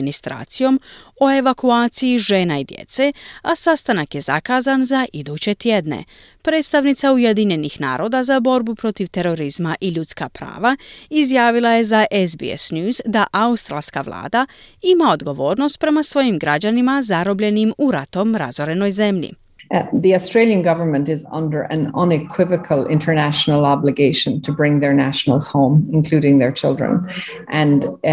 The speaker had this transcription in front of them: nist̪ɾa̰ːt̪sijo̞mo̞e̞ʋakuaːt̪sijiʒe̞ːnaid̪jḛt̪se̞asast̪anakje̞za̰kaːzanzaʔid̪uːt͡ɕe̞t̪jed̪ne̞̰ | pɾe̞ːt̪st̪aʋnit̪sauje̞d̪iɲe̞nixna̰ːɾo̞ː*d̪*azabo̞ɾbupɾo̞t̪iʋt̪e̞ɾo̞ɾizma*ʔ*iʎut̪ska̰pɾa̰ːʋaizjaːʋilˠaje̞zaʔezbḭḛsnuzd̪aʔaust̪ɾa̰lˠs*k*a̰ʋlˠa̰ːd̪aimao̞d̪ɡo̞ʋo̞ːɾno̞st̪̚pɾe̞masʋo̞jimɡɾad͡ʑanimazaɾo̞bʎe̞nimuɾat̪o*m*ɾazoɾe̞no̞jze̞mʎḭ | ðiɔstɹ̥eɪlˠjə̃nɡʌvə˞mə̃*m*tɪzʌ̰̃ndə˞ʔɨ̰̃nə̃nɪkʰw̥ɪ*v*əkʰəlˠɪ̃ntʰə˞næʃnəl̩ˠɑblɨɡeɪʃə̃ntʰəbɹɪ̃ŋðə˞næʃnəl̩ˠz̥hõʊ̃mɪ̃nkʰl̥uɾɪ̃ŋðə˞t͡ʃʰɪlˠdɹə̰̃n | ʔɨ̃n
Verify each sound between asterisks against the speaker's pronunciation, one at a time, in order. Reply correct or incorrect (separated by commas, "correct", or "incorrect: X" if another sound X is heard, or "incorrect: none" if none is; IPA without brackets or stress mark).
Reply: correct, correct, correct, correct, incorrect: n, correct